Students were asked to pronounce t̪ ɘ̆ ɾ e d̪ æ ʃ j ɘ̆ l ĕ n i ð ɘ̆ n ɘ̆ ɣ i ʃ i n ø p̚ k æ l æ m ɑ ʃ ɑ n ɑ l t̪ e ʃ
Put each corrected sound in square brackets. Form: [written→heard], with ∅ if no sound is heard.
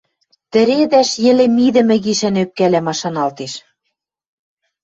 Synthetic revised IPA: t̪ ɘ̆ ɾ e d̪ æ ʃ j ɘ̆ l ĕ [n→m] i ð ɘ̆ [n→m] ɘ̆ ɣ i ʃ [i→æ] n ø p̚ k æ l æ m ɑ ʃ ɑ n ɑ l t̪ e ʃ